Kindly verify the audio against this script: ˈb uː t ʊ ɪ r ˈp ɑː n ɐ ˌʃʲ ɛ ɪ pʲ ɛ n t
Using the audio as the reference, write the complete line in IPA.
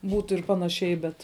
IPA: ˈb uː t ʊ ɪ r ˈp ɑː n ɐ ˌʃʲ ɛ ɪ bʲ ɛ t